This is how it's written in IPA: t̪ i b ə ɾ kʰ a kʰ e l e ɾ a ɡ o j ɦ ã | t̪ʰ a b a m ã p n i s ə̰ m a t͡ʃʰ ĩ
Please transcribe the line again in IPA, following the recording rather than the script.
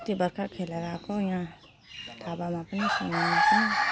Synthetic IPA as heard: t̪ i b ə ɾ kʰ a kʰ e l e ɾ a k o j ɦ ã | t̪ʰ a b a m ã p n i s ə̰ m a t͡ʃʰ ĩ